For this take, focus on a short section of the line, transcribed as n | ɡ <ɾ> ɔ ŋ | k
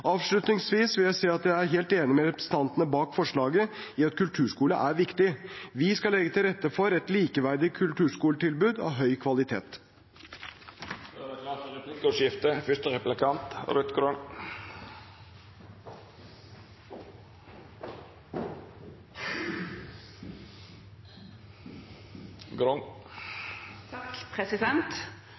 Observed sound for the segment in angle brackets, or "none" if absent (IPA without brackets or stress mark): ɾ